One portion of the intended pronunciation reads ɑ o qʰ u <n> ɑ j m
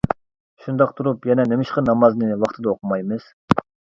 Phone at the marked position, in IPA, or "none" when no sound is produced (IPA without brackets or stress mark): m